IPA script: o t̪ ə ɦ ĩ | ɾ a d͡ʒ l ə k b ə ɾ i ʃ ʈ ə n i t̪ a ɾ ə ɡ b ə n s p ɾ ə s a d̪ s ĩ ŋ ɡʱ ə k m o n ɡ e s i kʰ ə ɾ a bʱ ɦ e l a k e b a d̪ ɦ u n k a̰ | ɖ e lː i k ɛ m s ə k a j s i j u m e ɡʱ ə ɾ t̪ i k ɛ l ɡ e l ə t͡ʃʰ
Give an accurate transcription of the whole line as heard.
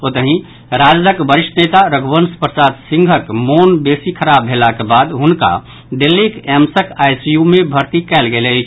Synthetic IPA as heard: o t̪ ə ɦ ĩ | ɾ a d͡ʒ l ə k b ə ɾ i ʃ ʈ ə n e t̪ a ɾ ə ɡ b ə n s p ɾ ə s a d̪ s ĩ ŋ ɡʱ ə k m o n b e s i kʰ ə ɾ a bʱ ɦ e l a k e b a d̪ ɦ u n k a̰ | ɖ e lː i k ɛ m s ə k a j s i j u m e bʱ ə ɾ t̪ i k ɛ l ɡ e l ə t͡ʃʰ

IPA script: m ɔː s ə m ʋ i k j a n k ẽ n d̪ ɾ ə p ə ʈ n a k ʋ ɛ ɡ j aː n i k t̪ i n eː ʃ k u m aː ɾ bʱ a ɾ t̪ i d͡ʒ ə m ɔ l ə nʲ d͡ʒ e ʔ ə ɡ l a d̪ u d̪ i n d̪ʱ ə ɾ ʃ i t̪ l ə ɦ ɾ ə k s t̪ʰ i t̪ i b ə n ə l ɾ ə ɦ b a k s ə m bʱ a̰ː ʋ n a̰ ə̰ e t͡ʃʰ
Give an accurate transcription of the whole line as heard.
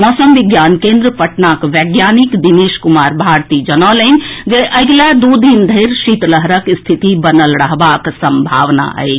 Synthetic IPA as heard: m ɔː s ə m ʋ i ɡ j a n k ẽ n d̪ ɾ ə p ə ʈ n a k ʋ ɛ ɡ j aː n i k d̪ i n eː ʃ k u m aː ɾ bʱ a ɾ t̪ i d͡ʒ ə n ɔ l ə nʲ d͡ʒ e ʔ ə ɡ l a d̪ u d̪ i n d̪ʱ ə ɾ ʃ i t̪ l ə ɦ ɾ ə k s t̪ʰ i t̪ i b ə n ə l ɾ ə ɦ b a k s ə m bʱ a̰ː ʋ n a̰ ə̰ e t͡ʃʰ

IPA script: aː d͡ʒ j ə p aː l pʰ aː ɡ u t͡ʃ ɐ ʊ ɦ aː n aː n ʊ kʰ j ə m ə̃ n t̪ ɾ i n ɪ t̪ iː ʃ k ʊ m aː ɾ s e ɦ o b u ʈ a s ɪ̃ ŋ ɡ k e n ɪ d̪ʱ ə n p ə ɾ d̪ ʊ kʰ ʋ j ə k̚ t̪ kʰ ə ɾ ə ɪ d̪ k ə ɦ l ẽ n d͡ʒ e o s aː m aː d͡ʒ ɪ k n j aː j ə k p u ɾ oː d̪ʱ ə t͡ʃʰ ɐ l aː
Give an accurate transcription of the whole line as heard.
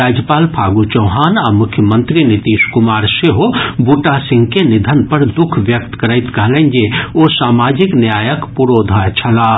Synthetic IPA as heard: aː d͡ʒ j ə p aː l pʰ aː ɡ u t͡ʃ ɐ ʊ ɦ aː n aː m ʊ kʰ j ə m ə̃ n t̪ ɾ i n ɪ t̪ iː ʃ k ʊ m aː ɾ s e ɦ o b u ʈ a s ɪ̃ ŋ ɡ k e n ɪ d̪ʱ ə n p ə ɾ d̪ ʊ kʰ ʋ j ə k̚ t̪ k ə ɾ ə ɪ t̪ k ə ɦ l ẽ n d͡ʒ e o s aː m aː d͡ʒ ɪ k n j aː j ə k p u ɾ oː d̪ʱ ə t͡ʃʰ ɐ l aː

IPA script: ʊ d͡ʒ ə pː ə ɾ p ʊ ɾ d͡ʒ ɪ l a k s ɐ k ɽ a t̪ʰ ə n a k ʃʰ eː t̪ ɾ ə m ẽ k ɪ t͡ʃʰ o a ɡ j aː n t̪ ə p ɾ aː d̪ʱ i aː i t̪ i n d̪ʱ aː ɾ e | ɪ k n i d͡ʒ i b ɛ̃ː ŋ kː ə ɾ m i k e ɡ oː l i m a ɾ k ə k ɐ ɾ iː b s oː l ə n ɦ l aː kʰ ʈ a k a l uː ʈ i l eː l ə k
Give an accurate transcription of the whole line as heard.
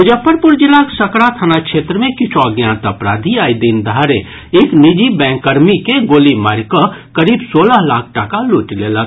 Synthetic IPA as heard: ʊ d͡ʒ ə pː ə ɾ p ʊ ɾ d͡ʒ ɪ l a k s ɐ k ɽ a t̪ʰ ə n a k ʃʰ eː t̪ ɾ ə m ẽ k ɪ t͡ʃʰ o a ɡ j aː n t̪ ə p ɾ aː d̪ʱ i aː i d̪ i n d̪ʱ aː ɾ e | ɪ k n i d͡ʒ i b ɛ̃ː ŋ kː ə ɾ m i k e ɡ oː l i m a ɾ k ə k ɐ ɾ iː b s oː l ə ɦ l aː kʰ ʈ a k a l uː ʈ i l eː l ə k

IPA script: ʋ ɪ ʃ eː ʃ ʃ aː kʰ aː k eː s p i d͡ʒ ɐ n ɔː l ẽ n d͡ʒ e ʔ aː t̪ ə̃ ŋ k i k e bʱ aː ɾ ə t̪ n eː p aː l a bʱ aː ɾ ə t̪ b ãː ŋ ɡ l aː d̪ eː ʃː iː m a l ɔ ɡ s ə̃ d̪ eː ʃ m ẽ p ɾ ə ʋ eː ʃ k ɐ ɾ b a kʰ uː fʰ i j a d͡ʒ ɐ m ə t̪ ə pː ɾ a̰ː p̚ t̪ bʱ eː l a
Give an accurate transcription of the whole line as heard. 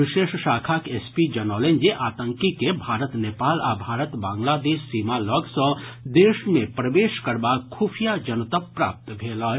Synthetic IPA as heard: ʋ ɪ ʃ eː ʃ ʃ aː kʰ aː k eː s p i d͡ʒ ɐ n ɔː l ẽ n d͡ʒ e ʔ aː t̪ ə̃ ŋ k i k e bʱ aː ɾ ə t̪ n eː p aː l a bʱ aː ɾ ə t̪ b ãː ŋ ɡ l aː d̪ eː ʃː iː m a l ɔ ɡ s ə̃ d̪ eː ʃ m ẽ p ɾ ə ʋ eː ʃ k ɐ ɾ b a kʰ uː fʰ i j a d͡ʒ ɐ n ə t̪ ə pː ɾ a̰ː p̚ t̪ bʱ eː l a

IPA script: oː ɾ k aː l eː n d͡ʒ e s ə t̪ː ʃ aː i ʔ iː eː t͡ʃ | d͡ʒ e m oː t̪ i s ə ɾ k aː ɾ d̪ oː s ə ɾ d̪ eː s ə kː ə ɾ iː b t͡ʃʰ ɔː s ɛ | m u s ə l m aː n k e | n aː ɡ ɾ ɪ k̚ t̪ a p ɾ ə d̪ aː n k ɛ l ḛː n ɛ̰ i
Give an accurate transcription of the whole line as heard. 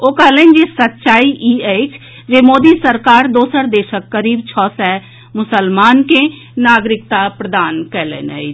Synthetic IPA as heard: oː k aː l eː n d͡ʒ e s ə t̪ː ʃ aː i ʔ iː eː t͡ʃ | d͡ʒ e m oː d̪ i s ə ɾ k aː ɾ d̪ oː s ə ɾ d̪ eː ʃ ə kː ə ɾ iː b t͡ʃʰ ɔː s ɛ | m ʊ s ə l m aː n k e | n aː ɡ ɾ ɪ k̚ t̪ a p ɾ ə d̪ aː n k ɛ l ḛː n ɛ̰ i

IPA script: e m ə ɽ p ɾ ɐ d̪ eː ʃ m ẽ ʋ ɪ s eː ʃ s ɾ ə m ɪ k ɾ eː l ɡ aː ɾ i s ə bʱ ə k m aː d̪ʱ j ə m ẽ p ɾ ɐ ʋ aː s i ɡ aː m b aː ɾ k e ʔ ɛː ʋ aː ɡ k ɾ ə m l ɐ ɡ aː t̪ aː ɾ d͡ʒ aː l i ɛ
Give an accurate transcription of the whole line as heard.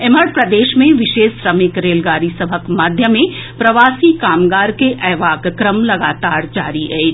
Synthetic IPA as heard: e m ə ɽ p ɾ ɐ d̪ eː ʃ m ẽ ʋ ɪ ʃ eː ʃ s ɾ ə m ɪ k ɾ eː l ɡ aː ɾ i s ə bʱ ə k m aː d̪ʱ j ə m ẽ p ɾ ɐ ʋ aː s i k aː m ɡ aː ɾ k e ʔ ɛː ʋ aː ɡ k ɾ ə m l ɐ ɡ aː t̪ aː ɾ d͡ʒ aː ɾ i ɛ

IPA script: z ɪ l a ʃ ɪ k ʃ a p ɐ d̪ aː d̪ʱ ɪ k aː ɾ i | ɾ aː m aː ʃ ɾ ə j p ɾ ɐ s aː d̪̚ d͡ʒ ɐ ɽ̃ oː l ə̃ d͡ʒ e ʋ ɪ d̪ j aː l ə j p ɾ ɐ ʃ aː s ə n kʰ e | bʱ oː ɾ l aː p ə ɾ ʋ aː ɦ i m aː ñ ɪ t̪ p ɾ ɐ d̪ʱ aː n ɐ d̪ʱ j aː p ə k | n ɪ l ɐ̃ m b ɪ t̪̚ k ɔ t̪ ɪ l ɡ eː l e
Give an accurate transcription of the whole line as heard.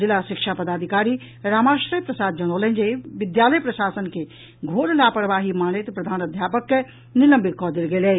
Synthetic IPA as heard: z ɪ l a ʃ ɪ k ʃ a p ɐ d̪ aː d̪ʱ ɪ k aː ɾ i | ɾ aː m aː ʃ ɾ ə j p ɾ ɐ s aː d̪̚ d͡ʒ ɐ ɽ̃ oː l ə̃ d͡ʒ e ʋ ɪ d̪ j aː l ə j p ɾ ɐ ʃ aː s ə n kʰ e | ɡʱ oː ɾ l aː p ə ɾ ʋ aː ɦ i m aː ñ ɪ t̪ p ɾ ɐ d̪ʱ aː n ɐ d̪ʱ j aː p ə k | n ɪ l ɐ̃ m b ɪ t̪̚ k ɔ d̪ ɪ l ɡ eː l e

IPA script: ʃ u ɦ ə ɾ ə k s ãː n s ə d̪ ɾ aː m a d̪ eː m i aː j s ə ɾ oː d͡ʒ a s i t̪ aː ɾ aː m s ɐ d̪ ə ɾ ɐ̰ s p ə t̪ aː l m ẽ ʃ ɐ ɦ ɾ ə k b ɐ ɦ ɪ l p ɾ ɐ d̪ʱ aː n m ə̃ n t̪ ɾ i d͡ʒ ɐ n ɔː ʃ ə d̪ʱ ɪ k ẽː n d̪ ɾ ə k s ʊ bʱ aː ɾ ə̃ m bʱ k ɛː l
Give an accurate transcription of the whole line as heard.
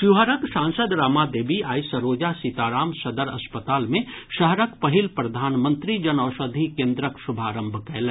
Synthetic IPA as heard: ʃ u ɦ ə ɾ ə k s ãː n s ə d̪ ɾ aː m a d̪ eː b i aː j s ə ɾ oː d͡ʒ a s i t̪ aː ɾ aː m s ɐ d̪ ə ɾ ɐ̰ s p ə t̪ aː l m ẽ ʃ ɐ ɦ ɾ ə k p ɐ ɦ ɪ l p ɾ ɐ d̪ʱ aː n m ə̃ n t̪ ɾ i d͡ʒ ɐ n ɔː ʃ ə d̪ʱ i k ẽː n d̪ ɾ ə k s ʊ bʱ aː ɾ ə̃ m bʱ k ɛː l

